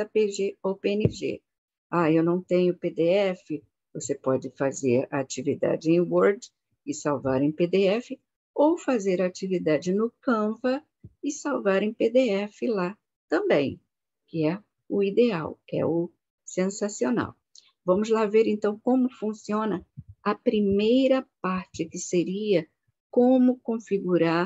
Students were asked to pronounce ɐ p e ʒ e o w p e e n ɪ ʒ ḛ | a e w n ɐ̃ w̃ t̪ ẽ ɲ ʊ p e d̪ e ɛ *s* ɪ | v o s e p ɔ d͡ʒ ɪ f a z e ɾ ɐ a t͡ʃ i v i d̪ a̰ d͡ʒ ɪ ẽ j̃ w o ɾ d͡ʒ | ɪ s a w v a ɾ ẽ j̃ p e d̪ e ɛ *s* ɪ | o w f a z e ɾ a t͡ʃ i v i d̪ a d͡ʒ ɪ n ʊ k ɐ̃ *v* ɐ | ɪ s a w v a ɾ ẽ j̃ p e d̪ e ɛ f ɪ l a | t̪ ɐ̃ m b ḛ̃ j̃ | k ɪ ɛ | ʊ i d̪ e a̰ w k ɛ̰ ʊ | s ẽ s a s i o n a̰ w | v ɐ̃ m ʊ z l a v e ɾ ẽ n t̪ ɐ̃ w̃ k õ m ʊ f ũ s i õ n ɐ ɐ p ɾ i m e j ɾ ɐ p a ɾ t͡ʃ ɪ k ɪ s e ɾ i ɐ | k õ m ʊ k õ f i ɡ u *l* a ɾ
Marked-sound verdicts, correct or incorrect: incorrect: f, incorrect: f, correct, incorrect: ɾ

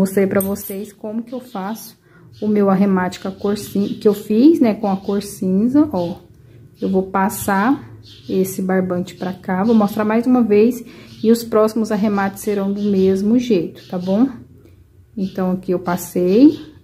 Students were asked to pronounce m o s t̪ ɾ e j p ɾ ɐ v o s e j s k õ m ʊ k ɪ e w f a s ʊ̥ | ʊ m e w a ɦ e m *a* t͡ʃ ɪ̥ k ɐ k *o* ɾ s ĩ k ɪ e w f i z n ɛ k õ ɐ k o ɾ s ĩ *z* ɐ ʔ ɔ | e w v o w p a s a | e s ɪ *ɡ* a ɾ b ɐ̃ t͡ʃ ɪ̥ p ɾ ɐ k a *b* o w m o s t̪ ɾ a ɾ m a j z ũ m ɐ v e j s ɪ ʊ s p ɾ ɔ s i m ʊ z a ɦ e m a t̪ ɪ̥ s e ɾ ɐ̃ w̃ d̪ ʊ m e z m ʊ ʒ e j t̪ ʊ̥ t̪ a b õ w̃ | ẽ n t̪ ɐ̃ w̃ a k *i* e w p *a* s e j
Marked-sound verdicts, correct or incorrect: correct, correct, correct, incorrect: b, incorrect: v, correct, correct

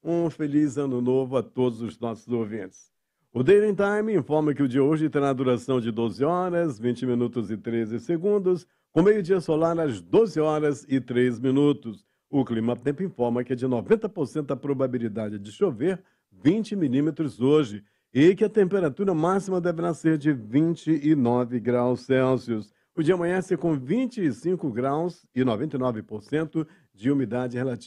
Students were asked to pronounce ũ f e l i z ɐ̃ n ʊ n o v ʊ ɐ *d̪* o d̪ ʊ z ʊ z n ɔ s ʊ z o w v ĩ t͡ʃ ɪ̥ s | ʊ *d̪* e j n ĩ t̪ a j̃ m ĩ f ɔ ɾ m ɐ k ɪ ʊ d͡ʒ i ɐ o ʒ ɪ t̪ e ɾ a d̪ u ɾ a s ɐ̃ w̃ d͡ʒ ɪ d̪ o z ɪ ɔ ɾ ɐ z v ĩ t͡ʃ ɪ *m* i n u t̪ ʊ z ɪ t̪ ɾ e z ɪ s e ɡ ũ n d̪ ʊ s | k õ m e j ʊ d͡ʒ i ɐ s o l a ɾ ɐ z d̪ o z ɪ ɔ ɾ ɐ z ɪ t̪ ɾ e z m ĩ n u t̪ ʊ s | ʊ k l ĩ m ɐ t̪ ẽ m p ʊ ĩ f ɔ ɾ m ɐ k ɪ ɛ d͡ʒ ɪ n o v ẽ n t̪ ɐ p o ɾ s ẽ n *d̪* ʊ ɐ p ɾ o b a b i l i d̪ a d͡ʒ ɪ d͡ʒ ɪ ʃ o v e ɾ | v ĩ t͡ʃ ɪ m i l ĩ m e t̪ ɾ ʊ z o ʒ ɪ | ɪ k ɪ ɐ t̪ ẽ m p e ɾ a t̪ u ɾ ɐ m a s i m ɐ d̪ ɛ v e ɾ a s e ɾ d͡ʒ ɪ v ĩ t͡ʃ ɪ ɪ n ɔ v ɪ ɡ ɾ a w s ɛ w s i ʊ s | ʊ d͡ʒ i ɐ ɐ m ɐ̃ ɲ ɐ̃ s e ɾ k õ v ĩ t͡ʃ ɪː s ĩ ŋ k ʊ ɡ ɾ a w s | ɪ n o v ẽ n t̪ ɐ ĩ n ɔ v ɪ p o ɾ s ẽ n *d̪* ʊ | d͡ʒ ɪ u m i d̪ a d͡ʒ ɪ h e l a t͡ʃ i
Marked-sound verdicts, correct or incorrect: incorrect: t̪, correct, correct, incorrect: t̪, incorrect: t̪

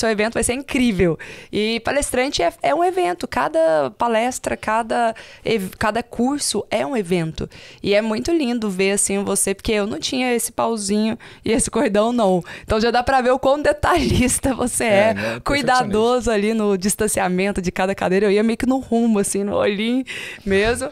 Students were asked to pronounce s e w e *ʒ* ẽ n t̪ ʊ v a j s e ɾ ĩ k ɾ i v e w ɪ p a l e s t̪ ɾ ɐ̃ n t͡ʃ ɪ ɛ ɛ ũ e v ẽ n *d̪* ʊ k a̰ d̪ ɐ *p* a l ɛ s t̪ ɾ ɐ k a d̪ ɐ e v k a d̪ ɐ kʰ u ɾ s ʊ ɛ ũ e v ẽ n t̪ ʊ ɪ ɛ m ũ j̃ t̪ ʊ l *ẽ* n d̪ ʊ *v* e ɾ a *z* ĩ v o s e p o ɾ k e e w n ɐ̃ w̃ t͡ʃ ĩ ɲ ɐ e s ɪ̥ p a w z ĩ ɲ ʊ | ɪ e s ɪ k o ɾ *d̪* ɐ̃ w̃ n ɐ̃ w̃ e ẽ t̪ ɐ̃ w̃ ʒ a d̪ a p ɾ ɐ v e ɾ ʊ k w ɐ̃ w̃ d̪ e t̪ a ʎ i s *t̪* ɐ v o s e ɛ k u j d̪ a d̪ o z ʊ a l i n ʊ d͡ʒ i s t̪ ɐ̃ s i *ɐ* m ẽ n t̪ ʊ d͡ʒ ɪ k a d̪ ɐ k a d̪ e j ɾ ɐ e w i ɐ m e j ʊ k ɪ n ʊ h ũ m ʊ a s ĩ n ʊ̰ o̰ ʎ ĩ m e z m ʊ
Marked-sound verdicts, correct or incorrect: incorrect: v, incorrect: t̪, correct, incorrect: ĩ, correct, incorrect: s, correct, correct, incorrect: a

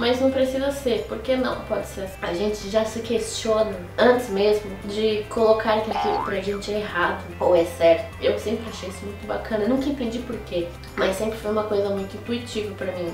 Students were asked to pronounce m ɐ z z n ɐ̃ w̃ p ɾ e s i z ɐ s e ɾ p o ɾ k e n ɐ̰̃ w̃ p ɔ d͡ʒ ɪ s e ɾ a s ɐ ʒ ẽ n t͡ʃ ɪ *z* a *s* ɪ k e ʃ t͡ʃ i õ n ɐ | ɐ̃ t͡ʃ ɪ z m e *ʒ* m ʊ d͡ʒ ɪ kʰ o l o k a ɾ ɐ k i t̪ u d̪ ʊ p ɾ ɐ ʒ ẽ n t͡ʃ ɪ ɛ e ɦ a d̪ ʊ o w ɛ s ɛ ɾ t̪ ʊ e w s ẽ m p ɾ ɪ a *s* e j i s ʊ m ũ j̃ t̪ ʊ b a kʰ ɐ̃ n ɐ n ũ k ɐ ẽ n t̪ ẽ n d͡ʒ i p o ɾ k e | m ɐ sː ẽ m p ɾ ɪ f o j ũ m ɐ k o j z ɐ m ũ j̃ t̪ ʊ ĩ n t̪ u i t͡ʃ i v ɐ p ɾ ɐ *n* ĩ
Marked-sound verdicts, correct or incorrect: incorrect: ʒ, correct, incorrect: z, incorrect: ʃ, incorrect: m

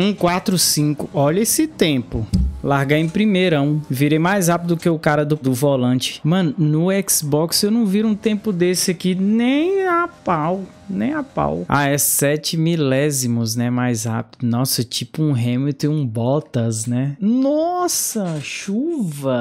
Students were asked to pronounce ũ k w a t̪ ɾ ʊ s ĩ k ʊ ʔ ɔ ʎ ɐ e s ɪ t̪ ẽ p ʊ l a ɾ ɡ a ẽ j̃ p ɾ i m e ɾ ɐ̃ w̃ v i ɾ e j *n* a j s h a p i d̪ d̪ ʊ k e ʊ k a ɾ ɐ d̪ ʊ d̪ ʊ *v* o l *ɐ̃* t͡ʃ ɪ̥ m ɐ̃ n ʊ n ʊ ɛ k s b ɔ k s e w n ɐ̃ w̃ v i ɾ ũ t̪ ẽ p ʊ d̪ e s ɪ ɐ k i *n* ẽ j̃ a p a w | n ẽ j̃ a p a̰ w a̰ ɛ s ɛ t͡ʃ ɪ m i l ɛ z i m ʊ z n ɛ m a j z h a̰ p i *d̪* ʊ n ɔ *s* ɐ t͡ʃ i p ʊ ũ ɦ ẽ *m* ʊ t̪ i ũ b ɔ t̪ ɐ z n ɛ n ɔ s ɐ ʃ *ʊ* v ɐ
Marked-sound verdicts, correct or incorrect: incorrect: m, correct, correct, correct, correct, correct, correct, incorrect: u

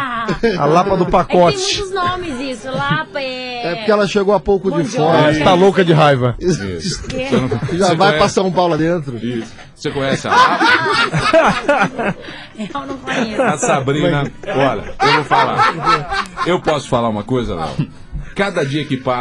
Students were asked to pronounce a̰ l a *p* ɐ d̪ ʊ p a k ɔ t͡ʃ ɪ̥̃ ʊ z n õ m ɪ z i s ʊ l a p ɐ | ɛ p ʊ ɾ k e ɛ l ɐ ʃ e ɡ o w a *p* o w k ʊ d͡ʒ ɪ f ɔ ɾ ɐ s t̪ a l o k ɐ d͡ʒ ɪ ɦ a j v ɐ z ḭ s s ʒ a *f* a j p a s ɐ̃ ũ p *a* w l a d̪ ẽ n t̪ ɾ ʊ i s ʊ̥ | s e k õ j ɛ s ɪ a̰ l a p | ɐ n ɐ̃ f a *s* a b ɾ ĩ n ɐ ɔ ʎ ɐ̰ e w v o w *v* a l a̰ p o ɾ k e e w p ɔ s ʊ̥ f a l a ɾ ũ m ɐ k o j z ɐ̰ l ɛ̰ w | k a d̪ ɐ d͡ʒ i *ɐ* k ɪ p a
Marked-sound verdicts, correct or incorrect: correct, correct, incorrect: v, correct, correct, incorrect: f, correct

